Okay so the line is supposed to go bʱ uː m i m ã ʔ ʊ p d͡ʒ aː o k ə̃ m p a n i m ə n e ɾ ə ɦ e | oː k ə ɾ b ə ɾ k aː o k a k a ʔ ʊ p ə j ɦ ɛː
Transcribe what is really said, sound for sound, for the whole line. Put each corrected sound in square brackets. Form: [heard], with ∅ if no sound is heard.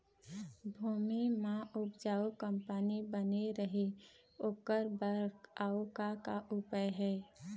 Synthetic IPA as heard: bʱ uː m i m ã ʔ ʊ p d͡ʒ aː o k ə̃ m p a n i [b] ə n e ɾ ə ɦ e | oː k ə ɾ b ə ɾ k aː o k a k a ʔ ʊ p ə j ɦ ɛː